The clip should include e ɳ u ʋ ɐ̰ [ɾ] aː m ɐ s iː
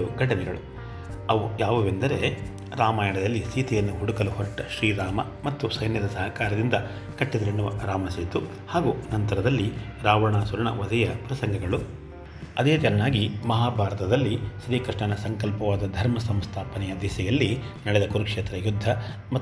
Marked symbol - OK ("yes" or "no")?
yes